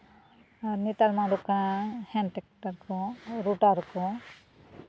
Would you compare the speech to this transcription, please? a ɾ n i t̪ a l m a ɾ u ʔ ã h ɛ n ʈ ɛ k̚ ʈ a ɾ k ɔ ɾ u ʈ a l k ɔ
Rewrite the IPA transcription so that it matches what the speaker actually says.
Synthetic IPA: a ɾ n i t̪ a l m a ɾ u k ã h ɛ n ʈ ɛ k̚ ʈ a ɾ k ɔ ɾ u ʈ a ɾ k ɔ